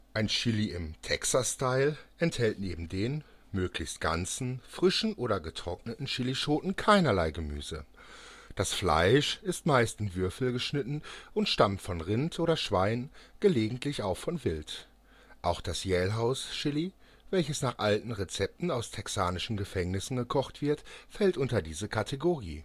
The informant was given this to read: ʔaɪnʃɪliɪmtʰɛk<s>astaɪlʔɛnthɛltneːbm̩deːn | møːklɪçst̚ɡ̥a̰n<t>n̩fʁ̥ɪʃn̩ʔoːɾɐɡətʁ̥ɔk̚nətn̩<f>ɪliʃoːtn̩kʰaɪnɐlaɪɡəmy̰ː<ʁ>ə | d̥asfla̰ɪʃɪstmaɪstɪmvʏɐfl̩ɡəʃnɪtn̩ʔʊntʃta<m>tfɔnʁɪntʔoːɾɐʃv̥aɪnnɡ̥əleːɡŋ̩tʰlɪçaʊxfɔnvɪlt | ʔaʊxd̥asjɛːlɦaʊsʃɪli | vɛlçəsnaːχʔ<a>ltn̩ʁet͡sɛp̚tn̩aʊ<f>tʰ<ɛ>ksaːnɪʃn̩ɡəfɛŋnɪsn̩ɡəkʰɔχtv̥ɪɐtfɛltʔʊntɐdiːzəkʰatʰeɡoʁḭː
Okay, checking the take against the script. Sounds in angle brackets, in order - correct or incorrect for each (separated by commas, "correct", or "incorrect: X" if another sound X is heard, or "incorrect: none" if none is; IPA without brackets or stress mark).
correct, incorrect: t͡s, incorrect: ʃ, incorrect: z, correct, correct, incorrect: s, correct